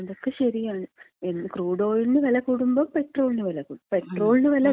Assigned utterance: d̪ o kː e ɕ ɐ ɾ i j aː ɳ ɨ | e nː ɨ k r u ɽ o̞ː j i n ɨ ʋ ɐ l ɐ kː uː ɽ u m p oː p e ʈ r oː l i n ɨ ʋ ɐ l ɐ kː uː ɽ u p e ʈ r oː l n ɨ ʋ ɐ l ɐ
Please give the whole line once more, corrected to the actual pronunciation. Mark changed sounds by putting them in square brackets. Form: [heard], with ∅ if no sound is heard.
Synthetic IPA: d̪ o kː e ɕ ɐ ɾ i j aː ɳ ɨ | e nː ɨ k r [uː] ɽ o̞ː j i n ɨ ʋ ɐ l ɐ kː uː ɽ u m [b] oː p e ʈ r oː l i n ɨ ʋ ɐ l ɐ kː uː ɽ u p e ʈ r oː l n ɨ ʋ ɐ l ɐ